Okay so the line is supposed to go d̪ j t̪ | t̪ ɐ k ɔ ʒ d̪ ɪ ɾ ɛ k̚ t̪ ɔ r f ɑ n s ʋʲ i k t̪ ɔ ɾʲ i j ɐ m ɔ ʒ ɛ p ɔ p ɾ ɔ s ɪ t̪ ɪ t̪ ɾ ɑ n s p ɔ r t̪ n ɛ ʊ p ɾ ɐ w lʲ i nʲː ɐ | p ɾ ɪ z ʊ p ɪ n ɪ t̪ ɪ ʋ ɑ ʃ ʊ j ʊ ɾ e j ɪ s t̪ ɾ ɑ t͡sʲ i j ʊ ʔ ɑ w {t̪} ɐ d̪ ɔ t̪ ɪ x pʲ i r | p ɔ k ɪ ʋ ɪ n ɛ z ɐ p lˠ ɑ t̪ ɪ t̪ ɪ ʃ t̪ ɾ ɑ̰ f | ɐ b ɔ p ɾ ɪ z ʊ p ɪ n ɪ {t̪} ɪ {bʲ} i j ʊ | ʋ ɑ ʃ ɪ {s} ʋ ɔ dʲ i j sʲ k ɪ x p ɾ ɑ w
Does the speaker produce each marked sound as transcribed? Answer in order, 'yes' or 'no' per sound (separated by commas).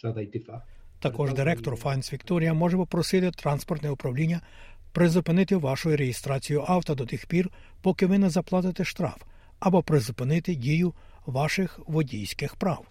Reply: yes, yes, no, no